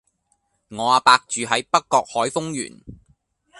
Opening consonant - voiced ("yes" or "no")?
yes